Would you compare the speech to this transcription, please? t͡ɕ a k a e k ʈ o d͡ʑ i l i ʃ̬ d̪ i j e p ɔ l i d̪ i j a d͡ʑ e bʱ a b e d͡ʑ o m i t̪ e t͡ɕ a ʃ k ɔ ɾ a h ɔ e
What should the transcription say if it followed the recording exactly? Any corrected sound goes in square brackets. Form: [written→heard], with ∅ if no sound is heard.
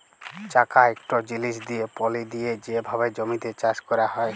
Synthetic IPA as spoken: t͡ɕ a k a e k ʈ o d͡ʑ i l i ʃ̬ d̪ i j e p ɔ l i d̪ i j [a→e] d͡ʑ e bʱ a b e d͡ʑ o m i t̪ e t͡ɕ a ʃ k ɔ ɾ a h ɔ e

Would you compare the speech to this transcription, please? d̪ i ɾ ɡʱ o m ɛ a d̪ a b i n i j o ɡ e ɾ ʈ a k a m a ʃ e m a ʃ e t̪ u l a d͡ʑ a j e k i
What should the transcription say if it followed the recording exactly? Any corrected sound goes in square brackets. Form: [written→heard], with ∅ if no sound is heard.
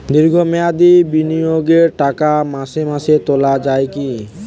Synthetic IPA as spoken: d̪ i ɾ ɡʱ o m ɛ a d̪ [a→i] b i n i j o ɡ e ɾ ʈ a k a m a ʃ e m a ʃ e t̪ [u→o] l a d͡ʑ a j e k i

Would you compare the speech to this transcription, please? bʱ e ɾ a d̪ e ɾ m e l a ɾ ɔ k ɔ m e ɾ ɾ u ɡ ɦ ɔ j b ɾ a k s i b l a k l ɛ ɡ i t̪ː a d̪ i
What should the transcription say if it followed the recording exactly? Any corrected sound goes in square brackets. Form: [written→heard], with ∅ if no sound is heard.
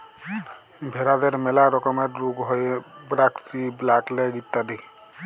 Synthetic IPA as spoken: bʱ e ɾ a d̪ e ɾ m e l a ɾ ɔ k ɔ m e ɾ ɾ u ɡ ɦ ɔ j b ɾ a k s i b l a k l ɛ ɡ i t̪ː a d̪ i

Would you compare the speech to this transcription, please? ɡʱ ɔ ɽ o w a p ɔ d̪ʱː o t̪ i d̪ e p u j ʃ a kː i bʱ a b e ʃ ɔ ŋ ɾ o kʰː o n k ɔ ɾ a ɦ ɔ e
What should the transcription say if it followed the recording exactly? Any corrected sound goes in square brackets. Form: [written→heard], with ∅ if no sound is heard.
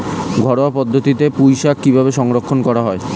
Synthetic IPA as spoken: ɡʱ ɔ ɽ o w a p ɔ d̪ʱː o t̪ i [d̪→t̪] e p u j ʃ a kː i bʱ a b e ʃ ɔ ŋ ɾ o kʰː o n k ɔ ɾ a ɦ ɔ e

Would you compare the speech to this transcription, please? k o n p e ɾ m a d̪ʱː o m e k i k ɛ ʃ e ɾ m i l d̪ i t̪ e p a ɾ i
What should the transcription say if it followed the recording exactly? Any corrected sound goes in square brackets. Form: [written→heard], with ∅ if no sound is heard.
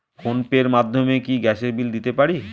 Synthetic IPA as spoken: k o n p e ɾ m a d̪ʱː o m e k i [k→ɡ] ɛ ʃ e ɾ [m→b] i l d̪ i t̪ e p a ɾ i

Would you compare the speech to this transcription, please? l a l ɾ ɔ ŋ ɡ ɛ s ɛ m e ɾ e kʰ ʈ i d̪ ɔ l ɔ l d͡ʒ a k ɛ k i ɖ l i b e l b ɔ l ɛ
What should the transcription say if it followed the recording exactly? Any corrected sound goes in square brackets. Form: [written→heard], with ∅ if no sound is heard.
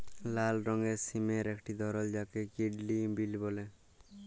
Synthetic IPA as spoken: l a l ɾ ɔ ŋ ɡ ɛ s [ɛ→i] m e ɾ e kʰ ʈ i d̪ ɔ [l→ɾ] ɔ l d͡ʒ a k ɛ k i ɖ l i b [e→i] l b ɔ l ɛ

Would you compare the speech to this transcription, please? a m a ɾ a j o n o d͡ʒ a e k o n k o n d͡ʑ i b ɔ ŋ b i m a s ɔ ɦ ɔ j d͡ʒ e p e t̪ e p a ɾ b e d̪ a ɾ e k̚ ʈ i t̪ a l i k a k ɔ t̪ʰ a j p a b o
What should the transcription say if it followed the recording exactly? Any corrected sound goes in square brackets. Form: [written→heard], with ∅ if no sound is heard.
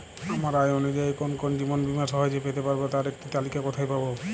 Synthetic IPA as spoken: a m a ɾ a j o n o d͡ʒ a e k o n k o n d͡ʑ i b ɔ [ŋ→n] b i m a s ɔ ɦ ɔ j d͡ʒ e p e t̪ e p a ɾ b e [d̪→t̪] a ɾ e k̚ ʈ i t̪ a l i k a k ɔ t̪ʰ a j p a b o

